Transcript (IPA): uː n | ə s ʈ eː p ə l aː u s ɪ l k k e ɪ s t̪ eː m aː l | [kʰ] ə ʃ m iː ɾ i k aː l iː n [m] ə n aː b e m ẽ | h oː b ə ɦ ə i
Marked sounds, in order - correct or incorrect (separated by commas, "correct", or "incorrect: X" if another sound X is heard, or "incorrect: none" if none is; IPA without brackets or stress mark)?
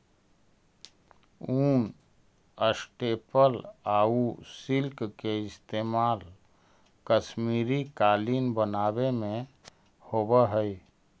incorrect: k, incorrect: b